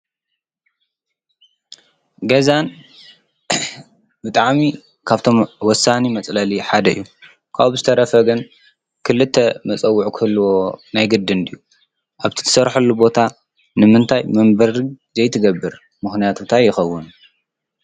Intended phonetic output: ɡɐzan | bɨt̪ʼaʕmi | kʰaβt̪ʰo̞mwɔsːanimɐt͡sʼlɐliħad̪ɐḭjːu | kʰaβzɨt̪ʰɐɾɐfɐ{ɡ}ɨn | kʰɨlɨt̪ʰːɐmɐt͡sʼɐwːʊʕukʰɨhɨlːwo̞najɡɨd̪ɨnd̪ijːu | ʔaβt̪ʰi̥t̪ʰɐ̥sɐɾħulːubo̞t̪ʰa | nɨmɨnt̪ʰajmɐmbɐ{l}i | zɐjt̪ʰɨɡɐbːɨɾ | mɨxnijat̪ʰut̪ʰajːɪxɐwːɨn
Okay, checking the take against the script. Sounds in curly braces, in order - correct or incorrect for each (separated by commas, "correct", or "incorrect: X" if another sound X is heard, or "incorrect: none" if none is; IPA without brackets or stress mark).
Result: correct, incorrect: ɾ